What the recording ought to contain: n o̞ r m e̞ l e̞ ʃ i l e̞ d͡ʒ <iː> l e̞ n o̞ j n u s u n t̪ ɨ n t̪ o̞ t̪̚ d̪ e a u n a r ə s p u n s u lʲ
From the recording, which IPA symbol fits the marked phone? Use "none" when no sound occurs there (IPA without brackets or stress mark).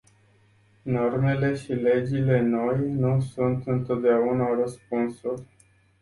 i